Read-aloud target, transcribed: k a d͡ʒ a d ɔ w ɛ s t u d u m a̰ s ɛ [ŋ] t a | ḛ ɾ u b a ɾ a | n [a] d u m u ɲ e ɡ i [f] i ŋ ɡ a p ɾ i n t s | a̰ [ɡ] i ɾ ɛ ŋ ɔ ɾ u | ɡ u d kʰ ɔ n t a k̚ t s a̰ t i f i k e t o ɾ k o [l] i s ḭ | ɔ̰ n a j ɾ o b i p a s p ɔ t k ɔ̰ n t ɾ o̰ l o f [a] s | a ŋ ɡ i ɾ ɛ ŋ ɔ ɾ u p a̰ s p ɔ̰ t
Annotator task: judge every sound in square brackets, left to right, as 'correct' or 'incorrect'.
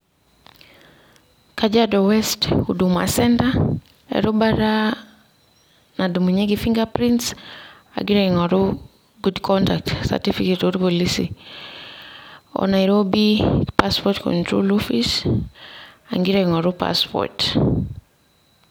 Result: incorrect: n, correct, correct, correct, correct, incorrect: i

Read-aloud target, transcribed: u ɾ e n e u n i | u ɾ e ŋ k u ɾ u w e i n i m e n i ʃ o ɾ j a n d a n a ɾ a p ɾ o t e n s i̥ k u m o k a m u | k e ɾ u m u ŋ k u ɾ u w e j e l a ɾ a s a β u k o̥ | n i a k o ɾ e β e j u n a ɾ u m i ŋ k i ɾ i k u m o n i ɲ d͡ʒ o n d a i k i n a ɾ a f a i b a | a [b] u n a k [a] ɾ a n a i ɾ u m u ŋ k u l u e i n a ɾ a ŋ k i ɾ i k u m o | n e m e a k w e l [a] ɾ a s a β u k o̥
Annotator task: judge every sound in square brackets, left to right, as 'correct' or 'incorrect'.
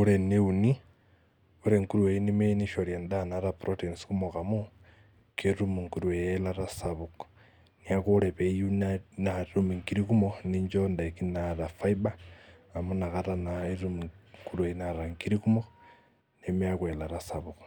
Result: incorrect: m, correct, correct

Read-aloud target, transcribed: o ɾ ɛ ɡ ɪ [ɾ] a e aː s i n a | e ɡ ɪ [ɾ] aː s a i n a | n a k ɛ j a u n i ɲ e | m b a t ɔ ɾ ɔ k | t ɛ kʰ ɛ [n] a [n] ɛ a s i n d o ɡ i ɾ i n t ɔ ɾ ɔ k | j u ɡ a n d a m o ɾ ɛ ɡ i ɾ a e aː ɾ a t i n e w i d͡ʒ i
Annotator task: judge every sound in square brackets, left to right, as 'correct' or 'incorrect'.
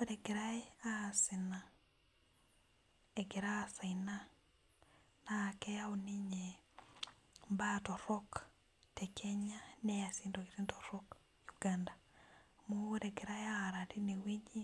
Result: correct, correct, incorrect: ɲ, correct

